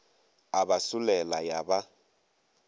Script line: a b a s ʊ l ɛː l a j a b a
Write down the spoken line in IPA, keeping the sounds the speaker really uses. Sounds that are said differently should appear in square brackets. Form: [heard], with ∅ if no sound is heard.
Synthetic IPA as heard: a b a s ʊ l [ɛ] l a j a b a